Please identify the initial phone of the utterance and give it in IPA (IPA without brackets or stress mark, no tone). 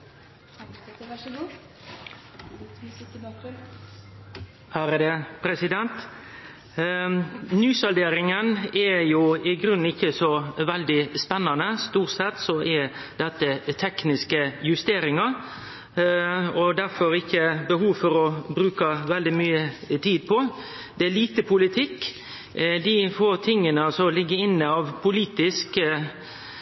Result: h